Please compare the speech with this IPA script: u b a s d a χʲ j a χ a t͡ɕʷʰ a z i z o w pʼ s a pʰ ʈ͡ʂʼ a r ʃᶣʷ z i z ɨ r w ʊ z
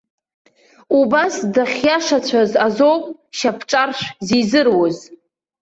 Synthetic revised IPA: u b a s d a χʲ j a ʂ a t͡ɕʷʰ a z a z o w pʼ ʃ a pʰ ʈ͡ʂʼ a r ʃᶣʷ z i z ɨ r w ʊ z